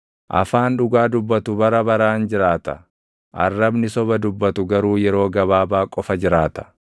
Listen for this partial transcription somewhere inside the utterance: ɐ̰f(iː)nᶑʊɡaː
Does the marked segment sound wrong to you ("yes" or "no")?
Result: yes